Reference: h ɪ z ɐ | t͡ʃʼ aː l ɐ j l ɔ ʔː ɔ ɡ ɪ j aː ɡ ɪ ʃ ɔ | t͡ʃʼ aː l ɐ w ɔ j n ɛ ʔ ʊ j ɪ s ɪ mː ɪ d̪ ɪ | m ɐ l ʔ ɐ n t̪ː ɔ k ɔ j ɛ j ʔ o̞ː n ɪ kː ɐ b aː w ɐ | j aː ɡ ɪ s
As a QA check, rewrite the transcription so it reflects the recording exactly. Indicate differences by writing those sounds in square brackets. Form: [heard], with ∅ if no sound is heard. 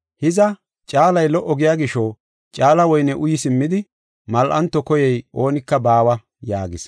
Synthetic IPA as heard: h ɪ z ɐ | t͡ʃʼ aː l ɐ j l ɔ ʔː ɔ ɡ ɪ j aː ɡ ɪ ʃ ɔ | t͡ʃʼ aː l ɐ w ɔ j n ɛ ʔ ʊ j ɪ s ɪ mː ɪ d̪ ɪ | m ɐ l ʔ ɐ n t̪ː ɔ k ɔ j ɛ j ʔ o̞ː n ɪ kː ɐ b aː w ɐ | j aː ɡ ɪ s